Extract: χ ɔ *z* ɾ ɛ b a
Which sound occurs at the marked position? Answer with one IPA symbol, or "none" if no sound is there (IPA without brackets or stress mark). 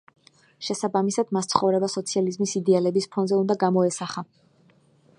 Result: v